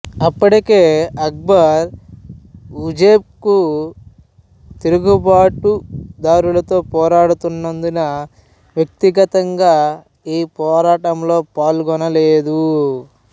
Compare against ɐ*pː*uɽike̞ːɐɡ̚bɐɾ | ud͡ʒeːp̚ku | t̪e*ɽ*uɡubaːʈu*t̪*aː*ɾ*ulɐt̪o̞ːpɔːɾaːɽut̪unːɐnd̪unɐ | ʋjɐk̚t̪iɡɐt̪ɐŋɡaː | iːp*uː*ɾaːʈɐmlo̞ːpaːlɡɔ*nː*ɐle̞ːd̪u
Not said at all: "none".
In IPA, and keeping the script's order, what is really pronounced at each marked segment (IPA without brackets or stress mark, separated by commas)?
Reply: pː, ɾ, d̪, ɾ, ɔː, n